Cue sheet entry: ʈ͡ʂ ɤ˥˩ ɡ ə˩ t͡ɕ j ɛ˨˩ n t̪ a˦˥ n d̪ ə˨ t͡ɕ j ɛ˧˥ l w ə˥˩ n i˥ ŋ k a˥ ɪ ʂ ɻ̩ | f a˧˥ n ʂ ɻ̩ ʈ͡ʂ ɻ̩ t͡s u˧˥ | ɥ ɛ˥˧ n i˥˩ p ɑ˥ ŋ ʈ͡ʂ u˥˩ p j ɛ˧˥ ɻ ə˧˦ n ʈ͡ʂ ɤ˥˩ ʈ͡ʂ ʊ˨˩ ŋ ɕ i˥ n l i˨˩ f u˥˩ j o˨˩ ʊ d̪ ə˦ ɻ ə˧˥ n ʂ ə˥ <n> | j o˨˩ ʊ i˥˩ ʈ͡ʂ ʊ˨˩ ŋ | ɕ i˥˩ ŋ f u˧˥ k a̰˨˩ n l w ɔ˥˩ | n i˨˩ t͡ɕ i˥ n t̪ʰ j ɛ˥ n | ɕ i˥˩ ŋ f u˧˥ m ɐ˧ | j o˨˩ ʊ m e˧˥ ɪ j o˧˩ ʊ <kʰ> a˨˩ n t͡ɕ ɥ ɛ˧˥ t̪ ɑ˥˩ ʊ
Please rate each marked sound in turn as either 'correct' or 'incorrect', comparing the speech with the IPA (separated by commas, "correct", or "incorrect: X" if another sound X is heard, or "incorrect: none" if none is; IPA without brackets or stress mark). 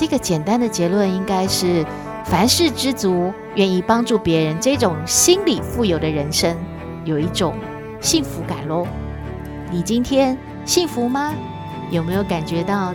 incorrect: ŋ, incorrect: k